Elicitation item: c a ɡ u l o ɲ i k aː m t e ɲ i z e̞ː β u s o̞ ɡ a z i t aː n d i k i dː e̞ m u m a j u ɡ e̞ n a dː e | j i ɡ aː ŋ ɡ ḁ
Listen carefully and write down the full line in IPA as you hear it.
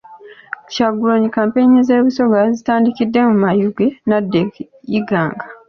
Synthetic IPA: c a ɡ u l o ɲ i k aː m p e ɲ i z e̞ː β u s o̞ ɡ a z i t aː n d i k i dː e̞ m u m a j u ɡ e̞ n a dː e | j i ɡ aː ŋ ɡ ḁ